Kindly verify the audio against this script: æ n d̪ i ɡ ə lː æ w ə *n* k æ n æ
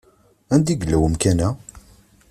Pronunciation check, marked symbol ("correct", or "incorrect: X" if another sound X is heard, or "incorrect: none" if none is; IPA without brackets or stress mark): incorrect: m